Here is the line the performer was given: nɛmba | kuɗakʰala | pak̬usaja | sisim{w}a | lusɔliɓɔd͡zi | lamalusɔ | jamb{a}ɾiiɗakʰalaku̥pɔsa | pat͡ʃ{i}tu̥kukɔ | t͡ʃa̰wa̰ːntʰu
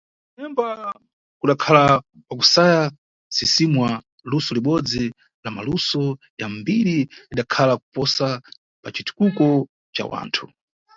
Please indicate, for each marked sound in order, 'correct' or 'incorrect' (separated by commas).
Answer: correct, incorrect, correct